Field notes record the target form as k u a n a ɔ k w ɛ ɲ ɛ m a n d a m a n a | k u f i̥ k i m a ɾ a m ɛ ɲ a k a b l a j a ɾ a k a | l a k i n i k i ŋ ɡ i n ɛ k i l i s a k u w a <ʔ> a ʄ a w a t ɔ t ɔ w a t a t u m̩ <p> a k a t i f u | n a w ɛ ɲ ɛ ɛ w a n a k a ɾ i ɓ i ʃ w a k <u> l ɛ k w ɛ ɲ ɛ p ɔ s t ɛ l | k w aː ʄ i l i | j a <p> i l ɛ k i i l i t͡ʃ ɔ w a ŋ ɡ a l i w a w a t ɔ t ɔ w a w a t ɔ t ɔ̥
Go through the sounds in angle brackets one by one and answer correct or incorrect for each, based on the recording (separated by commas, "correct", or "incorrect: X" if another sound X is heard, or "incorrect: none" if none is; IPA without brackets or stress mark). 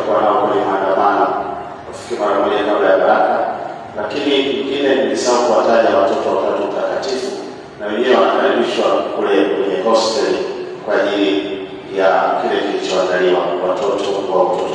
incorrect: t, incorrect: t, correct, incorrect: k